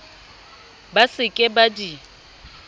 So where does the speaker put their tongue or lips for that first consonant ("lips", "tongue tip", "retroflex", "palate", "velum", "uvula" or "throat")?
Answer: lips